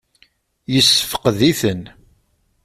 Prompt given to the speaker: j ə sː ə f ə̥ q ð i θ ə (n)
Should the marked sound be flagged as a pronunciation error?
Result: no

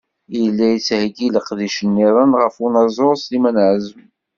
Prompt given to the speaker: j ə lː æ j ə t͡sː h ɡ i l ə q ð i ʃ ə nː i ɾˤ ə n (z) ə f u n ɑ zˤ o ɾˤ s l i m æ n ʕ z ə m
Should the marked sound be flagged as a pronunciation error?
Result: yes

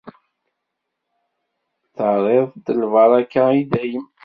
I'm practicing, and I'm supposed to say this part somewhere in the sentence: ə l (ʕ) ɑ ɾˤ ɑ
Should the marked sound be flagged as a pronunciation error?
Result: yes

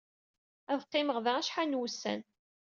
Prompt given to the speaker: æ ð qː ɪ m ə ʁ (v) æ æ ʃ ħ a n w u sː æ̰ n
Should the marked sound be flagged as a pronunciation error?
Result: yes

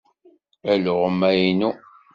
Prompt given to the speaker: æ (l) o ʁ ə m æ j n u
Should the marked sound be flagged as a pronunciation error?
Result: no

